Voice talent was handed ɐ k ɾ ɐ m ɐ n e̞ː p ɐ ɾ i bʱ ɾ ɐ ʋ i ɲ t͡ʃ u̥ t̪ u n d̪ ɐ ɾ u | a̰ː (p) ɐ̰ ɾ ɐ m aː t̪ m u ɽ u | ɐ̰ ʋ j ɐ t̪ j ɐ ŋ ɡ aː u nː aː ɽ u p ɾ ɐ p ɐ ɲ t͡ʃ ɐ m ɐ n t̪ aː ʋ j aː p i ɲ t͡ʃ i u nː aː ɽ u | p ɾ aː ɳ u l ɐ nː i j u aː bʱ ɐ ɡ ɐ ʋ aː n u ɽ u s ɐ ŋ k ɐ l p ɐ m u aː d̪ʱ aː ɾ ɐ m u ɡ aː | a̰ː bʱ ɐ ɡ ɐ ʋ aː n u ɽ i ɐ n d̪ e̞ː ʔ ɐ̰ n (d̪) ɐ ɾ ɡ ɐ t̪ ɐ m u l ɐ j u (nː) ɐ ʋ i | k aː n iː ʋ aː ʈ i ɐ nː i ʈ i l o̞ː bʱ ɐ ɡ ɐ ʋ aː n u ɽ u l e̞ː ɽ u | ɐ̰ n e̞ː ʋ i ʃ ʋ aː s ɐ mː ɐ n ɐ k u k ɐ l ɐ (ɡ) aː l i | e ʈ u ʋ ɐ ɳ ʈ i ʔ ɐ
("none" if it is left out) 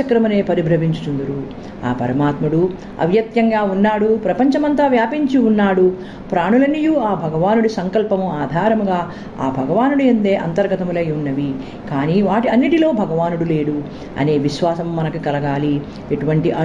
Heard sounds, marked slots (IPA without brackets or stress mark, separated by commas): p, t̪, nː, ɡ